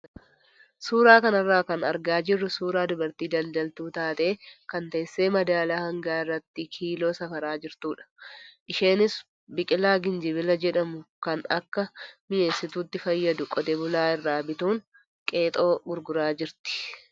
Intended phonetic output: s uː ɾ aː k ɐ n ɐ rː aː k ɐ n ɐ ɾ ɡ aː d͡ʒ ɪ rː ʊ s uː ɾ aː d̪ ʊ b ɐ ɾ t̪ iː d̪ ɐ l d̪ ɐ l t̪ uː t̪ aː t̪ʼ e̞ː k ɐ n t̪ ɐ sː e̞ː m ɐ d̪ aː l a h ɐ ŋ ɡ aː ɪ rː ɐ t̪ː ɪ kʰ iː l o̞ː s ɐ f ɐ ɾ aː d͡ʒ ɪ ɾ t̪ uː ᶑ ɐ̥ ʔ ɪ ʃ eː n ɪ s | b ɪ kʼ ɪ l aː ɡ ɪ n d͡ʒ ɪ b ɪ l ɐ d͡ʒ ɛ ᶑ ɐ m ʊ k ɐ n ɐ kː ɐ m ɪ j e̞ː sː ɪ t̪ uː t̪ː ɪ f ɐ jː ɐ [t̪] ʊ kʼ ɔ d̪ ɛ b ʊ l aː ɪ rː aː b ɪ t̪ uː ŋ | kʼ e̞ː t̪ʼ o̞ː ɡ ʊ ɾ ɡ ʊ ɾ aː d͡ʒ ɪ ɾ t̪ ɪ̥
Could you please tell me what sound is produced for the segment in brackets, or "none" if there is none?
d̪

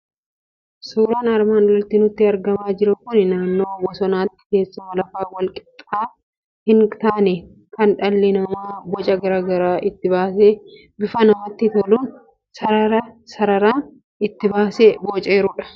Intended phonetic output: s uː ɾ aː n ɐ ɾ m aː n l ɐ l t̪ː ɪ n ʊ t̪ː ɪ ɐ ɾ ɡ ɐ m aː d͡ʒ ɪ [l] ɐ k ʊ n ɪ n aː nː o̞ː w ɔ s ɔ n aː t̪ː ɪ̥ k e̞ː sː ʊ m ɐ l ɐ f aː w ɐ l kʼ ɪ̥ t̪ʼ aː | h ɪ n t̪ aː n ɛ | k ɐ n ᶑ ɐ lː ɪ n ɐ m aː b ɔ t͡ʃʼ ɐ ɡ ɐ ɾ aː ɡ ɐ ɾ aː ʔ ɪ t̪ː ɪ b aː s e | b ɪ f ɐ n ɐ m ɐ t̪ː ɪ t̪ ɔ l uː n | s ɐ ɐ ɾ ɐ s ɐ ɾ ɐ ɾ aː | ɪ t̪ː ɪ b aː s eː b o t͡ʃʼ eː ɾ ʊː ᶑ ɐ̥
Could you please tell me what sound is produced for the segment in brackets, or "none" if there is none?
ɾ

